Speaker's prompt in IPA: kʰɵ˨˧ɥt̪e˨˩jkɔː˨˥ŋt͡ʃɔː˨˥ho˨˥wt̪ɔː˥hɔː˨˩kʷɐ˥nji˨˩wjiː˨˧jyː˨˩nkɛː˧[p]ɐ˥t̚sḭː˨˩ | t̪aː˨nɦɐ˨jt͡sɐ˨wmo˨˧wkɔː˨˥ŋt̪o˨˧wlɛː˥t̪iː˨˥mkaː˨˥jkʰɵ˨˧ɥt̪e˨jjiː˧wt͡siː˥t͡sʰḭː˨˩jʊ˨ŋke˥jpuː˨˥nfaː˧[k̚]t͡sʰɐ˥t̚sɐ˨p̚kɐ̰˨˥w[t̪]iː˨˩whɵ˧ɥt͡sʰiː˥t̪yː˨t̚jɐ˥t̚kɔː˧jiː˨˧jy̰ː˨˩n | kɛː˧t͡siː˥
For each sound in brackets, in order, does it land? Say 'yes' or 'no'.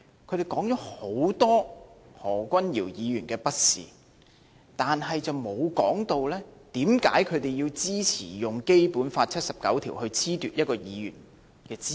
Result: yes, no, no

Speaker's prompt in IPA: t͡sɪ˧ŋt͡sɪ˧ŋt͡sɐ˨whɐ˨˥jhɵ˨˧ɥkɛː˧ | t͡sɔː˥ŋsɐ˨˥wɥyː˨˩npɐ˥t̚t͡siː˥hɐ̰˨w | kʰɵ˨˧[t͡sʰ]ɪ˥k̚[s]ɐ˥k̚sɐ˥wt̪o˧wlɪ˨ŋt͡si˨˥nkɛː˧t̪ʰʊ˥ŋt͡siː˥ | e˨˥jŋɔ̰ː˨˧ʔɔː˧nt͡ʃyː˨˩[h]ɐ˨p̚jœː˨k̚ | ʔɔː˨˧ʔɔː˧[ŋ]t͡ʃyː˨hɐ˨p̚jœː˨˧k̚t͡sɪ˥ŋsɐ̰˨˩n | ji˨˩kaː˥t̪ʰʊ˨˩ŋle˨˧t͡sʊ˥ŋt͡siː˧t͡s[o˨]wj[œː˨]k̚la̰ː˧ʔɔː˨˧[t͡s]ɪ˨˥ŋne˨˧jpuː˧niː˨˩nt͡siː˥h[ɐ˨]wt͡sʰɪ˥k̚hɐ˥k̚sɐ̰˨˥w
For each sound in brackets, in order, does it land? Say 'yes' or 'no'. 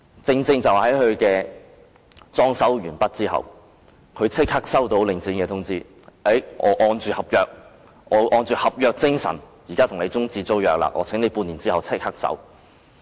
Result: yes, no, yes, no, no, yes, no, yes

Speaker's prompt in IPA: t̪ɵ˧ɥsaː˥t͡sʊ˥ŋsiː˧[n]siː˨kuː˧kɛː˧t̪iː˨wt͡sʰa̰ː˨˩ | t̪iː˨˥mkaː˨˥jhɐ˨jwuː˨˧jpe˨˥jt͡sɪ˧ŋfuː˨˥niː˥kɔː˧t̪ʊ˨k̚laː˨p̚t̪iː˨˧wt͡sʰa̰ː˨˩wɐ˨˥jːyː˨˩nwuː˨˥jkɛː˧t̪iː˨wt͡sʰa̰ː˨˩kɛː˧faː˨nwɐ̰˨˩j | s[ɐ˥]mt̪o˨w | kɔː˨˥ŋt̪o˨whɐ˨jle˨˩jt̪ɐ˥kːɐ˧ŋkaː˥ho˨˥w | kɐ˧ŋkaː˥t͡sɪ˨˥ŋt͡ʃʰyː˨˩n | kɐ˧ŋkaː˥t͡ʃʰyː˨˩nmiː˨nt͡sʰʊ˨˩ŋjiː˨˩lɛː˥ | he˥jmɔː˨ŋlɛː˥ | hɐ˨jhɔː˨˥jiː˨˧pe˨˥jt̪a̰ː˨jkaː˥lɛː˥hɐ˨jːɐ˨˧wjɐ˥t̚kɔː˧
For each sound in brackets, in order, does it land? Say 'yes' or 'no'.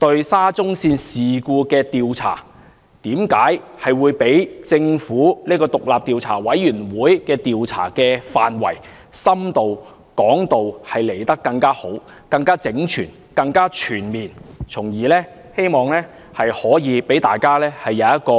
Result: yes, yes

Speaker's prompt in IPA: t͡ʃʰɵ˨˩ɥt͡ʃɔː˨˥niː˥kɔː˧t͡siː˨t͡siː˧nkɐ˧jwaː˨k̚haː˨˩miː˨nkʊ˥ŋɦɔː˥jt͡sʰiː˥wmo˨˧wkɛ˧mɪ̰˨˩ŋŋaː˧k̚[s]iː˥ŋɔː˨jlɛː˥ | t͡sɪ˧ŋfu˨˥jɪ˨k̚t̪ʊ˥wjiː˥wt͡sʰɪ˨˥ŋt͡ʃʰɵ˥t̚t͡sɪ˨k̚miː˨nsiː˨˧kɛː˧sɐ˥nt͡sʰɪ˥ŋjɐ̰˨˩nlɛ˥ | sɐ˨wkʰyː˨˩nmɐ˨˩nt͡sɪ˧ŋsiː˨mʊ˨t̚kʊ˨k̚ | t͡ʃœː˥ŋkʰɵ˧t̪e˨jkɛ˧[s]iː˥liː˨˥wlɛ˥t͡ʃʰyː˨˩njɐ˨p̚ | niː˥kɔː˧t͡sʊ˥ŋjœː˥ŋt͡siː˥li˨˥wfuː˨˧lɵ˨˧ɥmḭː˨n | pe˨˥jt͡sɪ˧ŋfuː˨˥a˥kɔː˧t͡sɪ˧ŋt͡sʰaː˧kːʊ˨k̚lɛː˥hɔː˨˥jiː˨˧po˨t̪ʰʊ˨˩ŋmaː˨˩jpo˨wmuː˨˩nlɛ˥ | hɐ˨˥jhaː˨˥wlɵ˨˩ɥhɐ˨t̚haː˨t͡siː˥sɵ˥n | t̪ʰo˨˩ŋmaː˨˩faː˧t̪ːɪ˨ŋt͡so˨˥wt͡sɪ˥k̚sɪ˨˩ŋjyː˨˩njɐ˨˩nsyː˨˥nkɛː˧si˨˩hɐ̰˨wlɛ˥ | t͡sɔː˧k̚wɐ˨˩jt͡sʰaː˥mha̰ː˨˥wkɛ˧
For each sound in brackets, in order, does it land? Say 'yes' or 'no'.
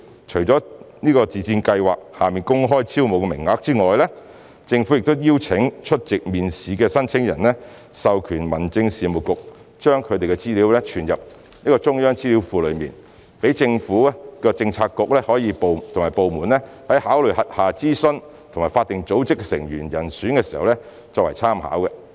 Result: no, no

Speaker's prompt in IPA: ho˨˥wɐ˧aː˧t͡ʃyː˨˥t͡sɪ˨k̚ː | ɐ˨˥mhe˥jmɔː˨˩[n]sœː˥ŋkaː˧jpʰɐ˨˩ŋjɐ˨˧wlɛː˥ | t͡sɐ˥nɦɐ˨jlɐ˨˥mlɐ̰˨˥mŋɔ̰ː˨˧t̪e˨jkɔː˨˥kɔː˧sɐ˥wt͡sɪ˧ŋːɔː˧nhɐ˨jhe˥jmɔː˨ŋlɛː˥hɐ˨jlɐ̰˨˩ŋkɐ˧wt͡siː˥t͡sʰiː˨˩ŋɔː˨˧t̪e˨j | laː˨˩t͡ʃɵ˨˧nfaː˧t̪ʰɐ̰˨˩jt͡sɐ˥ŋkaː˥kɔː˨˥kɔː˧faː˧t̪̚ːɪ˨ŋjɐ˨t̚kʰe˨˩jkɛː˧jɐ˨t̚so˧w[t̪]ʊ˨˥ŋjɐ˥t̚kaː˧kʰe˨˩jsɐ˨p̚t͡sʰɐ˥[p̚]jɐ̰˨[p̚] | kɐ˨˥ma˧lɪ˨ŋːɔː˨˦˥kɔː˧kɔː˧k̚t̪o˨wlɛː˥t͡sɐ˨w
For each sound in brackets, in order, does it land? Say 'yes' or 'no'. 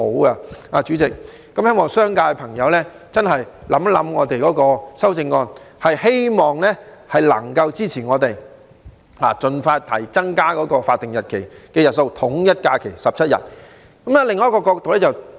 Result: no, no, no, no

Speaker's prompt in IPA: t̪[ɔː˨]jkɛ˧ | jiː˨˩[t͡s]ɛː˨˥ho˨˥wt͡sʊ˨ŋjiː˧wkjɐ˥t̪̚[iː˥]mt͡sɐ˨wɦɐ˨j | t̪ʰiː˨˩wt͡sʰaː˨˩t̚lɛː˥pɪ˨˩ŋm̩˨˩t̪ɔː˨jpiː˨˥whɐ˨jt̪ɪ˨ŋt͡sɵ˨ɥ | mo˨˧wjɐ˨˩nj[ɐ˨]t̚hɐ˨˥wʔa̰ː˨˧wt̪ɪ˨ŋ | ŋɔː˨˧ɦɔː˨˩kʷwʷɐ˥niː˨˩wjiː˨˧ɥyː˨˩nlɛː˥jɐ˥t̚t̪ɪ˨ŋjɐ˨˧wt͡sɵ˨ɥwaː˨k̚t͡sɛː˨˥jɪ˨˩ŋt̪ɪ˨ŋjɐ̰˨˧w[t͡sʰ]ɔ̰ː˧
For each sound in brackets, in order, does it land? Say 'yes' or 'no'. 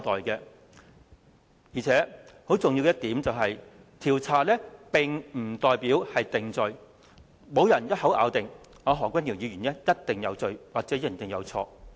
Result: yes, no, no, no, yes

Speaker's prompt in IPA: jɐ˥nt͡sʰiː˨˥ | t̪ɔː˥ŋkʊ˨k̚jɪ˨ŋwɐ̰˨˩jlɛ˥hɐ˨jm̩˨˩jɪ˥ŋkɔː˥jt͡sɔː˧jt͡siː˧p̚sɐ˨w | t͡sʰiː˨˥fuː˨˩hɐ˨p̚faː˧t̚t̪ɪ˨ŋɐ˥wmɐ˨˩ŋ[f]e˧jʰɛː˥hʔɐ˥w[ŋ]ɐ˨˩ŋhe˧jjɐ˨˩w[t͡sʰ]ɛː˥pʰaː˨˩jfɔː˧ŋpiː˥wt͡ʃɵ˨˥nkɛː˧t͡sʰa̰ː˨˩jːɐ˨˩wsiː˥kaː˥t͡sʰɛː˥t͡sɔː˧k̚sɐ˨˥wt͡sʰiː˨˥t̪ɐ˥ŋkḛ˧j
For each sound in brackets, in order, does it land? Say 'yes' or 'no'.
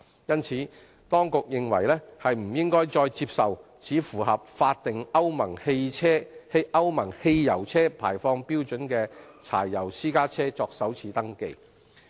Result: no, no, yes

